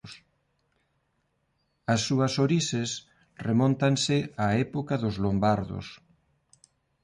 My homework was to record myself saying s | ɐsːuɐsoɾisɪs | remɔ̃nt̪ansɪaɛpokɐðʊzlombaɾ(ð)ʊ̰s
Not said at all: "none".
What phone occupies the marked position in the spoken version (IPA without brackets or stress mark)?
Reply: ð